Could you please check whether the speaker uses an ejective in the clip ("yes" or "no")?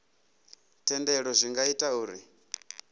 yes